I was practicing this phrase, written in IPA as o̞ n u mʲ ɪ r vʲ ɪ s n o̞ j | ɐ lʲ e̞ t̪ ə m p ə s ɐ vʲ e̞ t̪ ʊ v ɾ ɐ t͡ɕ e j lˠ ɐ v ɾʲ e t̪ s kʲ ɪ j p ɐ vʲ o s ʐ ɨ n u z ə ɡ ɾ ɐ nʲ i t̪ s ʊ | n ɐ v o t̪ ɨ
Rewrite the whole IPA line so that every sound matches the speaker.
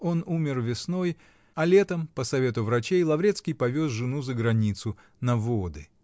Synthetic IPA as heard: o̞ n u mʲ ɪ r vʲ ɪ s n o̞ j | ɐ lʲ e̞ t̪ ə m p ə s ɐ vʲ e̞ t̪ ʊ v ɾ ɐ t͡ɕ e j lˠ ɐ v ɾʲ e t̪ s kʲ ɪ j p ɐ vʲ o s ʐ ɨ n u z ə ɡ ɾ ɐ nʲ i t̪ s ʊ | n ɐ v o d̪ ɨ